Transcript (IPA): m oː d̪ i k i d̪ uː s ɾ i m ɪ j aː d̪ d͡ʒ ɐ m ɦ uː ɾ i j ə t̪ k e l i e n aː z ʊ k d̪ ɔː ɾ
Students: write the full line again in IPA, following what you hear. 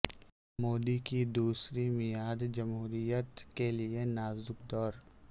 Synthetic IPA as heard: m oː d̪ i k i d̪ uː s ɾ i m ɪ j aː d̪ d͡ʒ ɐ m ɦ uː ɾ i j ə t̪ k e l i e n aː z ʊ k d̪ ɔː ɾ